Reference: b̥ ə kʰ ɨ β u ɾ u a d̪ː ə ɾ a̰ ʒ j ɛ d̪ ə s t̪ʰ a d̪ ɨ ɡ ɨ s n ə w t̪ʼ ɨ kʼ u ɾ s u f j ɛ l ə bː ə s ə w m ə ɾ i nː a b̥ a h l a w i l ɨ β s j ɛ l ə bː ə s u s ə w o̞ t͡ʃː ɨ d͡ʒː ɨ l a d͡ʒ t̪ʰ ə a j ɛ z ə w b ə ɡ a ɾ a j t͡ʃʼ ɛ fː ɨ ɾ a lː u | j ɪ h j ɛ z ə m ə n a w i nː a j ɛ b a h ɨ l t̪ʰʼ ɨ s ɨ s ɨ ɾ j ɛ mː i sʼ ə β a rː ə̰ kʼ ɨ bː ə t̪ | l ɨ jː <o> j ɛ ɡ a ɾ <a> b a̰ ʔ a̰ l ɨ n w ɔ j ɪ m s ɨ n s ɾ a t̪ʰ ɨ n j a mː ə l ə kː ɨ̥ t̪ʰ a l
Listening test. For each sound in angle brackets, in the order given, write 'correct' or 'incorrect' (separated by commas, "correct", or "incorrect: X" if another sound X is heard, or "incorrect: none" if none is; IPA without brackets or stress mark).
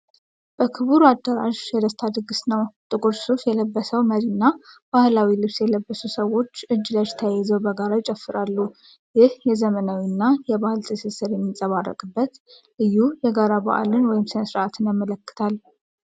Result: incorrect: u, correct